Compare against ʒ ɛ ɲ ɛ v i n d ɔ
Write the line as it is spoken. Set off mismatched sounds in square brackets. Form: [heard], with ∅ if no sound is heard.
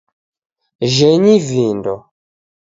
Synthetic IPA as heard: ʒ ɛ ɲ [i] v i n d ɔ